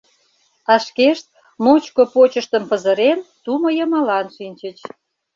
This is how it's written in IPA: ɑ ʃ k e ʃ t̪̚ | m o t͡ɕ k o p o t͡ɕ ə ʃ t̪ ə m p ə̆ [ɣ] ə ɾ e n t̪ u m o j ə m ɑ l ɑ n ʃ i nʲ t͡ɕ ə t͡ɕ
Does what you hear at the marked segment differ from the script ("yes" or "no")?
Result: yes